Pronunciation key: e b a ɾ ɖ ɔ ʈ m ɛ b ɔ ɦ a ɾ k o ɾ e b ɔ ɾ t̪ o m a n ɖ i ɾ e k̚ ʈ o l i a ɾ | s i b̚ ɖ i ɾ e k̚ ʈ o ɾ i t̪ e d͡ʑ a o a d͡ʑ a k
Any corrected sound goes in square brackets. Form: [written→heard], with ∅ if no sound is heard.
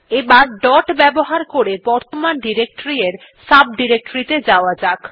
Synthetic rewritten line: e b a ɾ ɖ ɔ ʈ [m→b] ɛ b [ɔ→o] ɦ a ɾ k o ɾ e b ɔ ɾ t̪ o m a n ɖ i ɾ e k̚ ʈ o [l→ɾ] i [a→e] ɾ | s [i→a] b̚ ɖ i ɾ e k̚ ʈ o ɾ i t̪ e d͡ʑ a o a d͡ʑ a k